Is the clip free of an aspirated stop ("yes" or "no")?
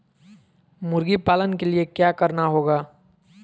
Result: yes